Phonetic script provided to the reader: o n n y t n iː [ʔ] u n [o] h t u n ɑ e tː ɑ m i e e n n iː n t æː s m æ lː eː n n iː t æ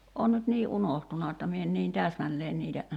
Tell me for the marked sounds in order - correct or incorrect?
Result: correct, correct

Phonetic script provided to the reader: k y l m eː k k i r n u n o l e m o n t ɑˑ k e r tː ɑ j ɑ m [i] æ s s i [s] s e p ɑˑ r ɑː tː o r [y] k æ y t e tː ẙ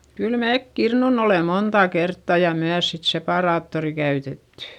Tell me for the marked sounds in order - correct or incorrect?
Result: incorrect, incorrect, incorrect

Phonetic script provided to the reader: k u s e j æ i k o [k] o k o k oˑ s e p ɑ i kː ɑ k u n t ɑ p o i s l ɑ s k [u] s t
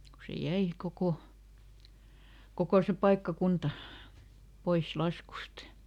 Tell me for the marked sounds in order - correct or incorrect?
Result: correct, correct

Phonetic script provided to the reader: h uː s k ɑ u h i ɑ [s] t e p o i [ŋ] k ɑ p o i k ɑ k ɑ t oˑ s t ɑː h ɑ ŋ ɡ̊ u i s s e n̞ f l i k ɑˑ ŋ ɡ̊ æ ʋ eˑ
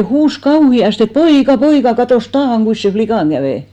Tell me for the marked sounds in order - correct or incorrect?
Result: correct, incorrect

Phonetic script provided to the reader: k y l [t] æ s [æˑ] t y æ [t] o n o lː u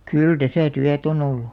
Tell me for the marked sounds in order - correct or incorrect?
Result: correct, correct, correct

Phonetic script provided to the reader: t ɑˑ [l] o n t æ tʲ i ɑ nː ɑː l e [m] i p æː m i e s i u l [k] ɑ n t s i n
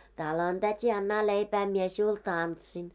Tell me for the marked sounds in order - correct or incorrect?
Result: correct, incorrect, incorrect

